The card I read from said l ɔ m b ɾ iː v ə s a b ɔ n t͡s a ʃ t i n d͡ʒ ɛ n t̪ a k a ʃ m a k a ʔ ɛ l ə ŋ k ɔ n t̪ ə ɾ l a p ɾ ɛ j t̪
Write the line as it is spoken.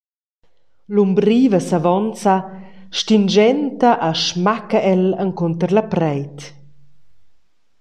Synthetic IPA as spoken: l u m b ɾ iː v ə s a v ɔ n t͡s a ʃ t i n d͡ʒ ɛ n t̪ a ʔ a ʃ m a k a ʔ ɛ l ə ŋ k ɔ n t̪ ə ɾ l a p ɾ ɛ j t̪